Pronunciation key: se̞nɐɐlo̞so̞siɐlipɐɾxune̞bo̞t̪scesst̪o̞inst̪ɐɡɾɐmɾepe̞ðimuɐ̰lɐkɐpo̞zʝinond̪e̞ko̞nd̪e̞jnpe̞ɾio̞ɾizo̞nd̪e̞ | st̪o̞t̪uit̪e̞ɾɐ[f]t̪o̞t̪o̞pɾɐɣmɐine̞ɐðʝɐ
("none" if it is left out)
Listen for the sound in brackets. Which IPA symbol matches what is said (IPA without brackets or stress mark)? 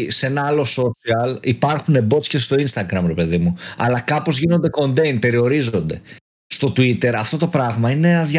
f